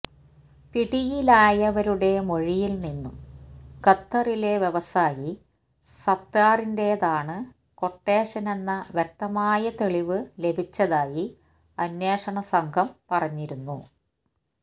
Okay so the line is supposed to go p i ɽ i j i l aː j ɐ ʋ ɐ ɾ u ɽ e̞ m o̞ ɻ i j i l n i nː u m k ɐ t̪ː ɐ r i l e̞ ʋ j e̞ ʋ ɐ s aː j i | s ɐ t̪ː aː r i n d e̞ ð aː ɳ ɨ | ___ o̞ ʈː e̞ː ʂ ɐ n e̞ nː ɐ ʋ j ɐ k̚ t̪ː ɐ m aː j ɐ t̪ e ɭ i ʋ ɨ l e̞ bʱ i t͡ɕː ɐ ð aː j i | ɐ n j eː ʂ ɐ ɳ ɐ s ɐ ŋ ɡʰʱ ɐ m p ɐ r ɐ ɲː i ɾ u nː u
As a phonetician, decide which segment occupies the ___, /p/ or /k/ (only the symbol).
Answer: k